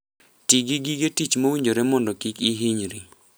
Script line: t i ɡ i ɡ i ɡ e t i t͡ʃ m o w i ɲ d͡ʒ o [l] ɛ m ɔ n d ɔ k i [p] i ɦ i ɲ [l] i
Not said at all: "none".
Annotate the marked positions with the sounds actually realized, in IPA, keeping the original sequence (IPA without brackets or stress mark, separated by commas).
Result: ɾ, k, ɾ